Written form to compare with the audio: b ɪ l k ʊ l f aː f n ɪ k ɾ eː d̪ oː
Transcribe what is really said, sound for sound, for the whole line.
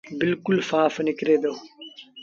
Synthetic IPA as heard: b ɪ l k ʊ l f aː f n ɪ k ɾ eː d̪ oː